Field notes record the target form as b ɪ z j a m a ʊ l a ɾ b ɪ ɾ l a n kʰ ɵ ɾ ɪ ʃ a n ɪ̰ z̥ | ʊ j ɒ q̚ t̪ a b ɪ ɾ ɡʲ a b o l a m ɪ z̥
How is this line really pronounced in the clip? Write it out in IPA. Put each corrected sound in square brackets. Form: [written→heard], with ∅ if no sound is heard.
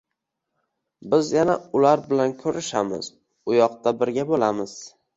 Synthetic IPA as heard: b ɪ z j a [m→n] a ʊ l a ɾ b ɪ [ɾ→∅] l a n kʰ ɵ ɾ ɪ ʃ a [n→m] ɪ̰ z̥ | ʊ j ɒ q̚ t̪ a b ɪ ɾ ɡʲ a b o l a m ɪ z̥